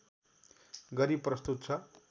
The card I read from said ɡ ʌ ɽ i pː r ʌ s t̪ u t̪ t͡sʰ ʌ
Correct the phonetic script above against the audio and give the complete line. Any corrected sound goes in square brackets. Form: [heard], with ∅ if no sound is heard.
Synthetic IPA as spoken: ɡ ʌ [ɾ] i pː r ʌ s t̪ u t̪ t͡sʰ ʌ